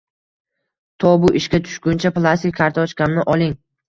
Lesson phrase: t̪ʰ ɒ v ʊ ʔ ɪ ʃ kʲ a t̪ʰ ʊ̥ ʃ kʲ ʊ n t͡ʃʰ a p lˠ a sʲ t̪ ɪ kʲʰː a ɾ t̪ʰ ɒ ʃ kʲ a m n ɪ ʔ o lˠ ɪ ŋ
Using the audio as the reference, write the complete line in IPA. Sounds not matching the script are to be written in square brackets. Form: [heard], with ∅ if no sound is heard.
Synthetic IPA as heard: t̪ʰ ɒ [b] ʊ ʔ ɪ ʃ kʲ a t̪ʰ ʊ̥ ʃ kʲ ʊ n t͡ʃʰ a p lˠ a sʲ t̪ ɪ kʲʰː a ɾ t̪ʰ ɒ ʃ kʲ a m n ɪ ʔ [ɒ] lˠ ɪ ŋ